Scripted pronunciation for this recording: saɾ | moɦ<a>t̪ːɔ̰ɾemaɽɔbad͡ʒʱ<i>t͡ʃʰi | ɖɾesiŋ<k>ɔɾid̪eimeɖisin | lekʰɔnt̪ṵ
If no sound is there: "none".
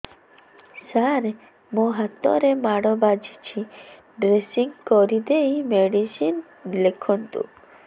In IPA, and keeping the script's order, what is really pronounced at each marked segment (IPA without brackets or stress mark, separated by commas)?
a, i, k